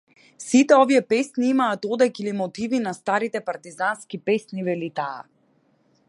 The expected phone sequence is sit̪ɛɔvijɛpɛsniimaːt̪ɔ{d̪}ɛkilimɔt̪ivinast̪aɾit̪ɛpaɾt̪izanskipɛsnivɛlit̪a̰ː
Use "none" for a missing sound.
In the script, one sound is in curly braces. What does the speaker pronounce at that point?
d̪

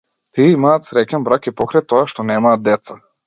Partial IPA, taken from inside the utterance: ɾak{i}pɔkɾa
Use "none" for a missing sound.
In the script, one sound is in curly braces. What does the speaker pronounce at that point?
i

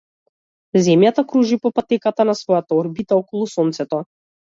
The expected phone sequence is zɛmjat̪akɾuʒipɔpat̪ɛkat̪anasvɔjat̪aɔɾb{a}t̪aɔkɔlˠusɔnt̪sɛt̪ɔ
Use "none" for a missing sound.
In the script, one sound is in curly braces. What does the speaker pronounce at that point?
i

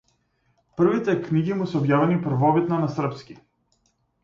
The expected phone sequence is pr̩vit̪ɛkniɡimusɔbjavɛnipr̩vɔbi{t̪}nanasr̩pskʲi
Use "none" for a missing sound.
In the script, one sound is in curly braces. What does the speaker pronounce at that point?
t̪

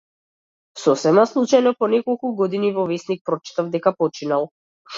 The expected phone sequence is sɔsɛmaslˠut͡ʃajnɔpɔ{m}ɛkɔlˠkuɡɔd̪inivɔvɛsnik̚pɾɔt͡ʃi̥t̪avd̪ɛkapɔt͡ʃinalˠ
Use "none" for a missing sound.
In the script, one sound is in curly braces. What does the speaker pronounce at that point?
n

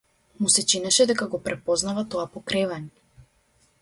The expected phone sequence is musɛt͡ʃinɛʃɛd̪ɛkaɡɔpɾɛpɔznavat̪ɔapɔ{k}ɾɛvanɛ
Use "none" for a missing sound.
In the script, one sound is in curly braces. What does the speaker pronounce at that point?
k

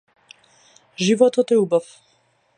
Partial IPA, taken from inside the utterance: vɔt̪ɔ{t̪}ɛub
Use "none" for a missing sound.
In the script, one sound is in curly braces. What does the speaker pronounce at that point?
t̪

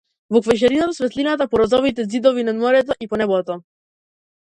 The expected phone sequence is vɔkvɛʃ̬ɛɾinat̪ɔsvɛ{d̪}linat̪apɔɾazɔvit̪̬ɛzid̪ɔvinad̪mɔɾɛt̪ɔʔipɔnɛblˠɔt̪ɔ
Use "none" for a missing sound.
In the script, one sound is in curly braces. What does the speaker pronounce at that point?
t̪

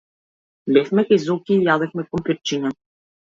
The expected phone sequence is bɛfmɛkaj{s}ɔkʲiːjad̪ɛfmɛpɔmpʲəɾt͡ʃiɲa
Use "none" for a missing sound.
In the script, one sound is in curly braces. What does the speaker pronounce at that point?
z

